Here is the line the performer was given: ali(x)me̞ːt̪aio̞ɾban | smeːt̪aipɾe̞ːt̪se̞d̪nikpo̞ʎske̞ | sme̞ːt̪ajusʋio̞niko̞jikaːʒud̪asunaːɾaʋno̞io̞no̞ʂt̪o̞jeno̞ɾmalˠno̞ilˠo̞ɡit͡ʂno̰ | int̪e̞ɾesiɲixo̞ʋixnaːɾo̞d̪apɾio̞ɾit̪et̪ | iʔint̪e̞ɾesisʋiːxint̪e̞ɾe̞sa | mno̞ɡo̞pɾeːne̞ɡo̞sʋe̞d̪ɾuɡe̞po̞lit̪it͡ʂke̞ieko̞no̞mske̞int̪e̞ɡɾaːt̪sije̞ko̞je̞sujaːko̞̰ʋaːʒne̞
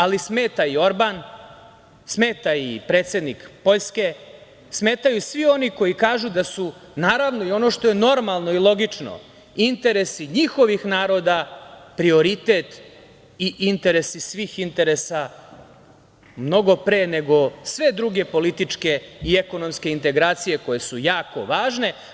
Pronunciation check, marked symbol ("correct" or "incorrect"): incorrect